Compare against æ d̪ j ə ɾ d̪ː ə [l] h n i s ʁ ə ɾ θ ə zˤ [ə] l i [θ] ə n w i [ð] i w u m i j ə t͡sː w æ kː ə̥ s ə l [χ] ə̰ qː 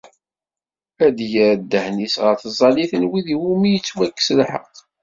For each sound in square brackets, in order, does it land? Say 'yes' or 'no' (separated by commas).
no, no, yes, yes, no